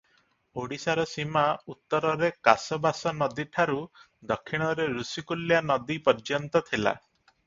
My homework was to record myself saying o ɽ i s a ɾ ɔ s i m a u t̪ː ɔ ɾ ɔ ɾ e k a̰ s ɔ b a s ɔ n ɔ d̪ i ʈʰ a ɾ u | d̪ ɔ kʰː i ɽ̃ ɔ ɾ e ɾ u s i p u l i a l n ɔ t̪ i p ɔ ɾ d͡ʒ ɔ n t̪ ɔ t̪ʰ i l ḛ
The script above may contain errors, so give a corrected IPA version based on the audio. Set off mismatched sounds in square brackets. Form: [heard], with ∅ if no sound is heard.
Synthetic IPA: o ɽ i s a ɾ ɔ s i m a u t̪ː ɔ ɾ ɔ ɾ e k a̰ s ɔ b a s ɔ n ɔ d̪ i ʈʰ a ɾ u | d̪ ɔ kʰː i ɽ̃ ɔ ɾ e ɾ u s i [k] u l [j] a [∅] n ɔ [d̪] i p ɔ ɾ d͡ʒ ɔ n t̪ ɔ t̪ʰ i l [a̰]

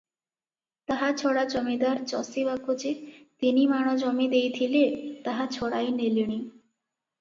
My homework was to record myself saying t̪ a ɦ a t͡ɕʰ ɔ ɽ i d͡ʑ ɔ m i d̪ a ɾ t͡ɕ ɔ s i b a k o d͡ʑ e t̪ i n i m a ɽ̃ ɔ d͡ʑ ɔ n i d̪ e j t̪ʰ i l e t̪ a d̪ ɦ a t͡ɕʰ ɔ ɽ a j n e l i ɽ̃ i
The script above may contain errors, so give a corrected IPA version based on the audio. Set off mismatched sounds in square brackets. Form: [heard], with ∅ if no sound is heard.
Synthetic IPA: t̪ a ɦ a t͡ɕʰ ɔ ɽ [a] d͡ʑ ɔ m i d̪ a ɾ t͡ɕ ɔ s i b a k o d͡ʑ e t̪ i n i m a ɽ̃ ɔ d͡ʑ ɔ [m] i d̪ e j t̪ʰ i l e t̪ a [∅] ɦ a t͡ɕʰ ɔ ɽ a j n e l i ɽ̃ i

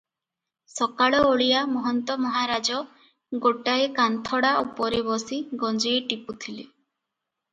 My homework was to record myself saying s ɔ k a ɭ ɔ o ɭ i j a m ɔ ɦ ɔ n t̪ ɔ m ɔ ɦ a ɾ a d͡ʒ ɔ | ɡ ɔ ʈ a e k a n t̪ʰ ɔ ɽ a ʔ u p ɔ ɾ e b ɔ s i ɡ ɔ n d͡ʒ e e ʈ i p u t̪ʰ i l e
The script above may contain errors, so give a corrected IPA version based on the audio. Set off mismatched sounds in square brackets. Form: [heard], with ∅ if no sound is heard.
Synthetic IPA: s ɔ k a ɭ ɔ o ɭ i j a m ɔ ɦ ɔ n t̪ ɔ m ɔ ɦ a ɾ a d͡ʒ ɔ | ɡ [o] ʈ a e k a n t̪ʰ ɔ ɽ a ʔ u p ɔ ɾ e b ɔ s i ɡ ɔ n d͡ʒ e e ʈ i p u t̪ʰ i l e

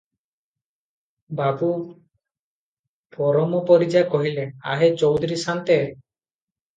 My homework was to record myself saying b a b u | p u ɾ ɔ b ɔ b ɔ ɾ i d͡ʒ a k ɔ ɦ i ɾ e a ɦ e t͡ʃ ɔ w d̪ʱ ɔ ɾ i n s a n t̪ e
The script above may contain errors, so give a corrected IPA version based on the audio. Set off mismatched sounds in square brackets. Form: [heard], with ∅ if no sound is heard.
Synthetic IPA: b a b u | p [ɔ] ɾ ɔ [m] ɔ [p] ɔ ɾ i d͡ʒ a k ɔ ɦ i [l] e a ɦ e t͡ʃ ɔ w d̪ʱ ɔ ɾ i [∅] s a n t̪ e

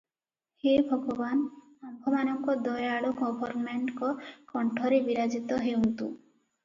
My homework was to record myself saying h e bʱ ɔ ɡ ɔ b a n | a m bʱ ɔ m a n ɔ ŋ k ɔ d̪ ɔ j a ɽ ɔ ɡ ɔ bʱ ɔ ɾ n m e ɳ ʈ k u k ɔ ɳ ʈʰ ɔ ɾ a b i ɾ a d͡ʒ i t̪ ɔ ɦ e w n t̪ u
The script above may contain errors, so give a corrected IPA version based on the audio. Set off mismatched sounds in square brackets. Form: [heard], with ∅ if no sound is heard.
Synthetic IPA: h e bʱ ɔ ɡ ɔ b a n | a m bʱ ɔ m a n ɔ ŋ k ɔ d̪ ɔ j a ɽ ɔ ɡ ɔ bʱ ɔ ɾ n m e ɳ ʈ k [ɔ] k ɔ ɳ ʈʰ ɔ ɾ [e] b i ɾ a d͡ʒ i t̪ ɔ ɦ e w n t̪ u

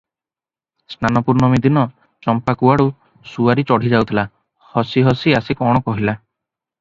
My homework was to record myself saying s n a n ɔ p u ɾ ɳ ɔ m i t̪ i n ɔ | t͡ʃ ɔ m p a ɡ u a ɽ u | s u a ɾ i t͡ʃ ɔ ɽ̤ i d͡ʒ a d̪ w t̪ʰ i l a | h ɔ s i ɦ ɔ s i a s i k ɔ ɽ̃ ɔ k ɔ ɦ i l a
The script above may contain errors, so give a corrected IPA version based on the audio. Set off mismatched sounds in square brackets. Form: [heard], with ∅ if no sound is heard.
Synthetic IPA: s n a n ɔ p u ɾ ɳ ɔ m i [d̪] i n ɔ | t͡ʃ ɔ m p a [k] u a ɽ u | s u a ɾ i t͡ʃ ɔ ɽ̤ i d͡ʒ a [∅] w t̪ʰ i l a | h ɔ s i ɦ ɔ s i a s i k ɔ ɽ̃ ɔ k ɔ ɦ i l a

